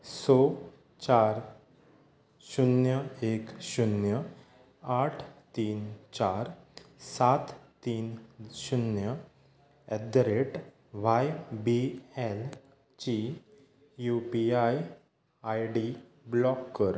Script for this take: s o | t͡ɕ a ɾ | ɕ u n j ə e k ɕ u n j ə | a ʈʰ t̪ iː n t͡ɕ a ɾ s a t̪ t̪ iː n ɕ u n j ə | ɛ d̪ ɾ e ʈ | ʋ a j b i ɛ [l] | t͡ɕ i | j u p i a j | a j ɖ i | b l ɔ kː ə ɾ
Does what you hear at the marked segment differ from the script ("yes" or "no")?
no